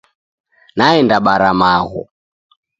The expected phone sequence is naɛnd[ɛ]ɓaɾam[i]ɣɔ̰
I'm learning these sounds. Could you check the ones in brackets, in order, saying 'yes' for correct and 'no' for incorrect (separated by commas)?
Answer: no, no